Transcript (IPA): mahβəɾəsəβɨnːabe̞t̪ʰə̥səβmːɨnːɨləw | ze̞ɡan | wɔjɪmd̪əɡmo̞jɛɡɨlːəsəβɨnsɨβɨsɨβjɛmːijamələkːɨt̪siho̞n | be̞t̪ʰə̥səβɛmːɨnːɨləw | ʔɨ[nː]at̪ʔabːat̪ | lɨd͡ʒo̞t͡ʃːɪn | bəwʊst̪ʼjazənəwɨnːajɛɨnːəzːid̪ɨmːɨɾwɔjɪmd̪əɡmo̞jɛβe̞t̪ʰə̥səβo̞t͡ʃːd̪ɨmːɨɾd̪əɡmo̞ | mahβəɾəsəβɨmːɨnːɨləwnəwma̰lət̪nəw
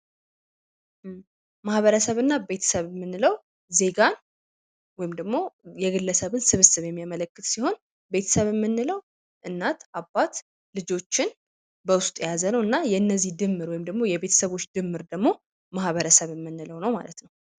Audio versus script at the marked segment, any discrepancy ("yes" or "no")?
no